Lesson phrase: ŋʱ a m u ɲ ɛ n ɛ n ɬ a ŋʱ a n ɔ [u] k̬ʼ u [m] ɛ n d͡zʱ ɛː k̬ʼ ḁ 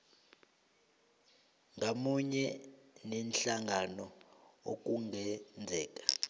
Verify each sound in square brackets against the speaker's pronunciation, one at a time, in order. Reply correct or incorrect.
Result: incorrect: o, incorrect: ŋ

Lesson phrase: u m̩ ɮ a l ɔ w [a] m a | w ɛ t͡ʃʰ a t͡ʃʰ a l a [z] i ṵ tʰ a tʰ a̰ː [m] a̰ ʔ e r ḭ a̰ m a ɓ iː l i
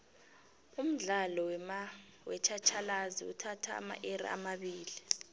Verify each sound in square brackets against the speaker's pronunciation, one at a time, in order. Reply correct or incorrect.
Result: incorrect: ɛ, correct, correct

